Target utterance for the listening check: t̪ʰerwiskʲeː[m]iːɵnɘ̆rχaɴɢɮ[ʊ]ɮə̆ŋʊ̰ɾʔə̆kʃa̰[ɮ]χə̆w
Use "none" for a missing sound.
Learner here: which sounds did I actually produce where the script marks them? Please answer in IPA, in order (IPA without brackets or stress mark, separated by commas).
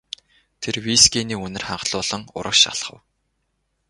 n, ʊː, ɮ